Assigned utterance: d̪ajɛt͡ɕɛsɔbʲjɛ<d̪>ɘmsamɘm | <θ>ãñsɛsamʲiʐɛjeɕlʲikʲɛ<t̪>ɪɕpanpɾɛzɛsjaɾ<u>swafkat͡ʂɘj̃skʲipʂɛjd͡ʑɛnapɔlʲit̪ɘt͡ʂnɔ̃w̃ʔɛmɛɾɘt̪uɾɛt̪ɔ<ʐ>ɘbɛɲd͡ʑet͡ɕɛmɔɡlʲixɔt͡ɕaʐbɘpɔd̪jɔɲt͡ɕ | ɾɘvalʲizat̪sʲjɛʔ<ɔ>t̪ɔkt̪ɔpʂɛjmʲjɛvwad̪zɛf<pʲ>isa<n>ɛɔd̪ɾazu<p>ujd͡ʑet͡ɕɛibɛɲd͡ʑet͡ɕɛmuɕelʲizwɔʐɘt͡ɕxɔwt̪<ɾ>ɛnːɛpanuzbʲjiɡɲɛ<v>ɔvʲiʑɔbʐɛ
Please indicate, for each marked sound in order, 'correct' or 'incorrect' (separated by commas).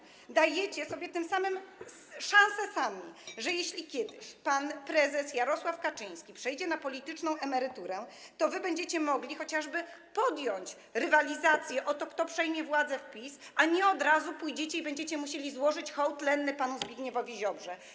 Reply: incorrect, incorrect, incorrect, incorrect, incorrect, correct, correct, incorrect, correct, incorrect, correct